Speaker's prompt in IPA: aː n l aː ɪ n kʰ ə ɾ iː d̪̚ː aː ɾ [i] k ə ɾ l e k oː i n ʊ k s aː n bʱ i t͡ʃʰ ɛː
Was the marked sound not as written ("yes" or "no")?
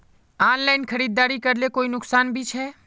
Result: no